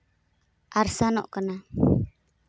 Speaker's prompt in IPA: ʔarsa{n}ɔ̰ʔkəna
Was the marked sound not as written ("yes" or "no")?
no